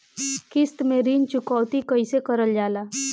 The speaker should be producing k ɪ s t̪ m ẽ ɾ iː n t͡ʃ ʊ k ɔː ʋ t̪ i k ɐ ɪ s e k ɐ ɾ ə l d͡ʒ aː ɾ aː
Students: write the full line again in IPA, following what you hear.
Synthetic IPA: k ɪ s t̪ m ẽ ɾ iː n t͡ʃ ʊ k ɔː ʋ t̪ i k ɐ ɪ s e k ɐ ɾ ə l d͡ʒ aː l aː